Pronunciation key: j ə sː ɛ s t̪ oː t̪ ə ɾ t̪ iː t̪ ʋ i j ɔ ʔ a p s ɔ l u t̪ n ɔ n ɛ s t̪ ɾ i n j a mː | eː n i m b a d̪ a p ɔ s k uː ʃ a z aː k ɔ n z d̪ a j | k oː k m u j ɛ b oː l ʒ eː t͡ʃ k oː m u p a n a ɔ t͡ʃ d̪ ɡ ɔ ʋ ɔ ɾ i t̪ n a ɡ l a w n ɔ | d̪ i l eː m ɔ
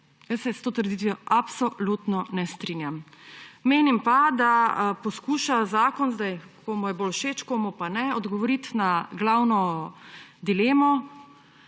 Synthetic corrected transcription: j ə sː ɛ s t̪ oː t̪ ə ɾ d̪ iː t̪ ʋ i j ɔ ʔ a p s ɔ l u t̪ n ɔ n ɛ s t̪ ɾ i n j a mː | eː n i m p a d̪ a p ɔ s k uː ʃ a z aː k ɔ n z d̪ a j | k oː m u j ɛ b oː l ʃ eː t͡ʃ k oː m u p a n ɛ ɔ d̪ ɡ ɔ ʋ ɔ ɾ i t̪ n a ɡ l a w n ɔ | d̪ i l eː m ɔ

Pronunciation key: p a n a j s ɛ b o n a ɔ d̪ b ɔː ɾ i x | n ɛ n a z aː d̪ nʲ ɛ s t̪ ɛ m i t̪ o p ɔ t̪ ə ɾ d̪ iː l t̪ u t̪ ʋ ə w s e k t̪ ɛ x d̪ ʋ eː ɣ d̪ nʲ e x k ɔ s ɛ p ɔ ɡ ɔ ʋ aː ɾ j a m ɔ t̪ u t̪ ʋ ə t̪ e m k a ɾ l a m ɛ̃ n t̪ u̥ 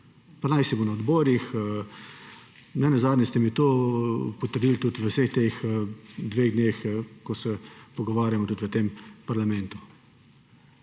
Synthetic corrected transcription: p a n a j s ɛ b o n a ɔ d̪ b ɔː ɾ i x | n ɛ n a z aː d̪ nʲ ɛ s t̪ ɛ m i t̪ o p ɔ t̪ ə ɾ d̪ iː l t̪ u t̪ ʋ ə w s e x t̪ e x d̪ ʋ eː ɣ d̪ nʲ e x k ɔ s ɛ p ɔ ɡ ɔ ʋ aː ɾ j a m ɔ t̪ u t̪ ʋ ə t̪ e m p a ɾ l a m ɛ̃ n t̪ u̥

